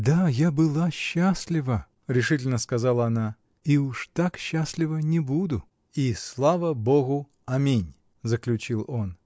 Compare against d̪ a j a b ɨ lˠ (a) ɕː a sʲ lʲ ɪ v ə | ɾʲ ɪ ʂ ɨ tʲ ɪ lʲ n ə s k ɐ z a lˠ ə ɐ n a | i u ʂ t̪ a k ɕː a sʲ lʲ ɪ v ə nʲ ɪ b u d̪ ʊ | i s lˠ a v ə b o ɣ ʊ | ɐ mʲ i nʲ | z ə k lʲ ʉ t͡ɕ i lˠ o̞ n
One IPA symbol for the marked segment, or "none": a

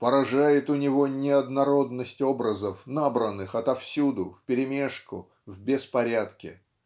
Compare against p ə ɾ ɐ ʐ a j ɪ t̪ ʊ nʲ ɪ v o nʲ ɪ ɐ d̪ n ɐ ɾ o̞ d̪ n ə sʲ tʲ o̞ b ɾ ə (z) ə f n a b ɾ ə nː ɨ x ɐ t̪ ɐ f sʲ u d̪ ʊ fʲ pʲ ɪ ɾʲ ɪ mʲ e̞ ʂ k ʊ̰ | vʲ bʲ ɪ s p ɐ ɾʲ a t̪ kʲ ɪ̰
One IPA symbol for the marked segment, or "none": z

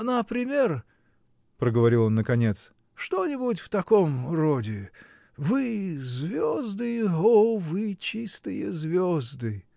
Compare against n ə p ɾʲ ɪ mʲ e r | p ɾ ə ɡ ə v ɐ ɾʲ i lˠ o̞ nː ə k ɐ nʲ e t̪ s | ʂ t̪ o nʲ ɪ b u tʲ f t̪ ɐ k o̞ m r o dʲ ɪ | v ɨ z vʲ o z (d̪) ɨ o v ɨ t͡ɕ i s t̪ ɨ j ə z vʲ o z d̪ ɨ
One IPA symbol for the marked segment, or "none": d̪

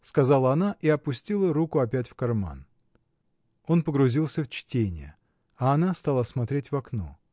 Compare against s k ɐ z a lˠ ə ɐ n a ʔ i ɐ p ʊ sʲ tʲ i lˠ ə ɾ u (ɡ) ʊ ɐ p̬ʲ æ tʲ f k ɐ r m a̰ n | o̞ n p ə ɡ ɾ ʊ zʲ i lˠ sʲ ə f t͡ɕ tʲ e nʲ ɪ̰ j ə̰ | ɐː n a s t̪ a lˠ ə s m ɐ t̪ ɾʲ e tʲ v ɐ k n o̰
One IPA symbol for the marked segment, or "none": k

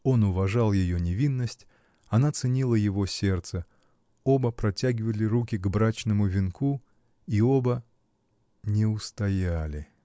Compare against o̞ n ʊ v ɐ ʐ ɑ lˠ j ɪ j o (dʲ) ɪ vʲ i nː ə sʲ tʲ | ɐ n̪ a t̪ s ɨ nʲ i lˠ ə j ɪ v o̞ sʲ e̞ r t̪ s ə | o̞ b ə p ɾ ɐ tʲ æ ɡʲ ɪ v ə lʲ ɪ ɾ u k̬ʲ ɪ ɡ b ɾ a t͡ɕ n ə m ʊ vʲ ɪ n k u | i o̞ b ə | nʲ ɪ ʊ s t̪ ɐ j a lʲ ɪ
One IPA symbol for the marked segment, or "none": nʲ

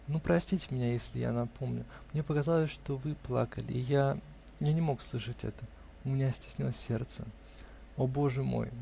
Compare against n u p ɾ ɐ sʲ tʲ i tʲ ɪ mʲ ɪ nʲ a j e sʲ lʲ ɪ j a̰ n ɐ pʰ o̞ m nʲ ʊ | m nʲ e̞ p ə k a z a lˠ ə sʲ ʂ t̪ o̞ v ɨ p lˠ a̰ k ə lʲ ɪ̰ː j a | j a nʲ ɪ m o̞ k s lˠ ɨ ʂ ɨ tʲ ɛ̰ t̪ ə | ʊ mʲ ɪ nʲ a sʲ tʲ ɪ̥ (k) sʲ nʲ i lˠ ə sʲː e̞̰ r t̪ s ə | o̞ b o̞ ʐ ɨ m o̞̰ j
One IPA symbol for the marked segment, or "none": none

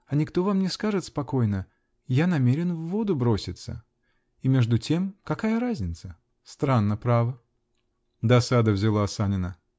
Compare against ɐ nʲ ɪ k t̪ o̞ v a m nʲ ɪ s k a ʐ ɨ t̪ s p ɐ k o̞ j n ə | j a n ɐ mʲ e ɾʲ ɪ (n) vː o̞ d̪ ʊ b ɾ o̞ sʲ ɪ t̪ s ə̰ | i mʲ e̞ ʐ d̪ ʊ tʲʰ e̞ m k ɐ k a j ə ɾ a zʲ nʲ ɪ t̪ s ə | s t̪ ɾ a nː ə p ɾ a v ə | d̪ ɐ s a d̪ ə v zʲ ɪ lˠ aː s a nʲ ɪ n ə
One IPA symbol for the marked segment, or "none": n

